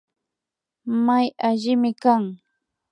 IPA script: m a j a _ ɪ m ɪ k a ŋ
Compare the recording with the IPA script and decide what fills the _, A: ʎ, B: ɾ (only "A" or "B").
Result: A